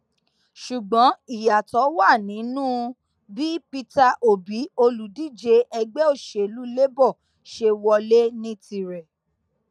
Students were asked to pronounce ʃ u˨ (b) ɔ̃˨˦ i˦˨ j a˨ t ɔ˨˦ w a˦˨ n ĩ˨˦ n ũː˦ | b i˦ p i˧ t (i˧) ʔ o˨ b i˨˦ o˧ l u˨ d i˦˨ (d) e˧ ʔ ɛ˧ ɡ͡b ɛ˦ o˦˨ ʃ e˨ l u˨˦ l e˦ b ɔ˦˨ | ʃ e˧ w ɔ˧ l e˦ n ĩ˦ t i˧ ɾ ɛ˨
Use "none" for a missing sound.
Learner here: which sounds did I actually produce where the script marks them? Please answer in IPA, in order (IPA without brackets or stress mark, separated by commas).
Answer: ɡ͡b, a˧, d͡ʒ